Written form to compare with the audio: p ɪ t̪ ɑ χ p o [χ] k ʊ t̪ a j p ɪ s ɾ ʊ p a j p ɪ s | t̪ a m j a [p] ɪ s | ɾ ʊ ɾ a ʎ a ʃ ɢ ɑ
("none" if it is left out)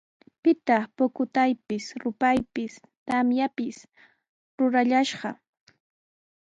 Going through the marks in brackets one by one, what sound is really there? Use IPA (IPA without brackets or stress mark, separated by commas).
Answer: none, p